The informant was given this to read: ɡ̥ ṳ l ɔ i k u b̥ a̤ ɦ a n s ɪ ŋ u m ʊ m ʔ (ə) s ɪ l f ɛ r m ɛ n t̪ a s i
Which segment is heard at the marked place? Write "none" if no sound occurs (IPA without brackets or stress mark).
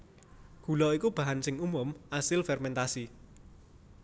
a